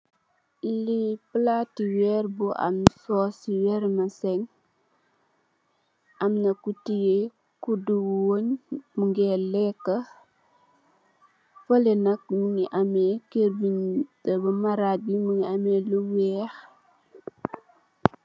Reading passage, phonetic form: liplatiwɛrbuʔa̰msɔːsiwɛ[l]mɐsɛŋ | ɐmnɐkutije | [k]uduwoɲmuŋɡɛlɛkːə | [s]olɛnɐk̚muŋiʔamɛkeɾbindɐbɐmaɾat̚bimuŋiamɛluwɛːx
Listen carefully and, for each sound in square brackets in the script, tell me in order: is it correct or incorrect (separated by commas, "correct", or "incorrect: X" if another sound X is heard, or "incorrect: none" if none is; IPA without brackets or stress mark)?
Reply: incorrect: ɾ, correct, incorrect: f